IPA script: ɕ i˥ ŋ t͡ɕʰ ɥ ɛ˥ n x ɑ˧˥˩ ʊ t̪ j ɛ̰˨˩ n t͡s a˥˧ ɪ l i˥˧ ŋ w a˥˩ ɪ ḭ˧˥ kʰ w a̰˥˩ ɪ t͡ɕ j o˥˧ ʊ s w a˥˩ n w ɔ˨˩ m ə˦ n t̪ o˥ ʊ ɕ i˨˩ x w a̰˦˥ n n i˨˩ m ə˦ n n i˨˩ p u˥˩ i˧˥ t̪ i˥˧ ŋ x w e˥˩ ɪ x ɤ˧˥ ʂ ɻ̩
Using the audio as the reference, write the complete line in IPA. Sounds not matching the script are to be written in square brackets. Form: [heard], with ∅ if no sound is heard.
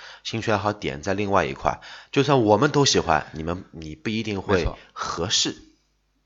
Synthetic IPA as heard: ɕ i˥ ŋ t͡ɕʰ ɥ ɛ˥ n x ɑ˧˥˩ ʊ t̪ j ɛ̰˨˩ n t͡s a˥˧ ɪ l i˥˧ ŋ w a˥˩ ɪ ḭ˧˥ kʰ w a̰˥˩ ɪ t͡ɕ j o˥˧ ʊ s w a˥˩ n w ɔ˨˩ m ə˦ n t̪ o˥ ʊ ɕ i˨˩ x w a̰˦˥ n n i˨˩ m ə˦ n n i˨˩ p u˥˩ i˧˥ t̪ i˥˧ ŋ x w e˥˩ ɪ x ɤ˧˥ ʂ ɻ̩